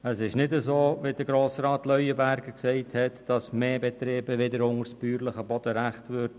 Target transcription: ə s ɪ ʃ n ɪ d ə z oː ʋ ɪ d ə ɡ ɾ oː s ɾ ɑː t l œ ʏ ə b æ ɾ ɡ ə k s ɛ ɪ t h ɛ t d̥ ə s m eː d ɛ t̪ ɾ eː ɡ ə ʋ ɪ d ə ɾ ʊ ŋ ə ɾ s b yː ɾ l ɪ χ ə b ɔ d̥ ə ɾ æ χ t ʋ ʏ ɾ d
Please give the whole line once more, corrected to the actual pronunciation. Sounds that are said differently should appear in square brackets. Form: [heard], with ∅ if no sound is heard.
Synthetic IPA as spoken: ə s ɪ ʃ n ɪ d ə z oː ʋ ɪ d ə ɡ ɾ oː s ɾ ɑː t l œ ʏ ə b æ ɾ ɡ ə k s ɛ ɪ t h ɛ t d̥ [ɑ] s m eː [b] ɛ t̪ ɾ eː [b] ə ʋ ɪ d ə ɾ ʊ ŋ ə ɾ s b yː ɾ l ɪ χ ə b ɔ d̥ ə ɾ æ χ t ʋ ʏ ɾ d